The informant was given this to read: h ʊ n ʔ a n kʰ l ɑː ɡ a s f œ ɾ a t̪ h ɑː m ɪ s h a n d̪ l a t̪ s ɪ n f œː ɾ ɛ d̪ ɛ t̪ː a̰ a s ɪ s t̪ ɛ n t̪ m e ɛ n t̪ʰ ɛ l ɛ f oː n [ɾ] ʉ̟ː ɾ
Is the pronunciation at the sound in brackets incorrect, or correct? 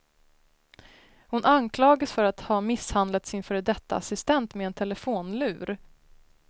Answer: incorrect